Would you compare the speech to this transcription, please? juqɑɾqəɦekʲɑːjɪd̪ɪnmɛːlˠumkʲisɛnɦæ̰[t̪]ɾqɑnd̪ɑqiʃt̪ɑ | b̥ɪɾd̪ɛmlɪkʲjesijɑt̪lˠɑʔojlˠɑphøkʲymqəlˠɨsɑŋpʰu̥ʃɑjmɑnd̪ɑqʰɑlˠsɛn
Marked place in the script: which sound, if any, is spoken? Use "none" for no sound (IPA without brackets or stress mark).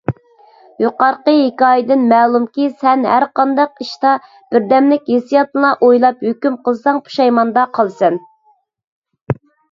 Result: none